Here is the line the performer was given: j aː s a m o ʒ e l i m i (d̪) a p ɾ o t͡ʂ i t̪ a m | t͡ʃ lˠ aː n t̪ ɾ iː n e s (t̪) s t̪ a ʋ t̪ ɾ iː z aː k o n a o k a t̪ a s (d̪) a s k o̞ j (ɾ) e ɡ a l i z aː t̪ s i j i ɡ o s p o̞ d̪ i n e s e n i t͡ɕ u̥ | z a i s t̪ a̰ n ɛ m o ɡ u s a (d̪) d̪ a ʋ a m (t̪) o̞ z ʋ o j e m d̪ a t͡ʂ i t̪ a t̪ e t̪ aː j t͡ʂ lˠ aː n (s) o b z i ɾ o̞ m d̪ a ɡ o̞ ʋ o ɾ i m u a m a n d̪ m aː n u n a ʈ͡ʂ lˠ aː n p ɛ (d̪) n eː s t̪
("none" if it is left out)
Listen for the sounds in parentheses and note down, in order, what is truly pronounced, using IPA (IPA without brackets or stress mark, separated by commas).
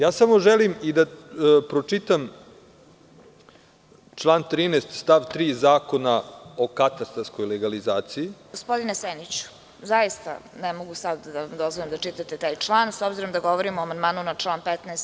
d̪, t̪, t̪, l, d̪, d̪, s, t̪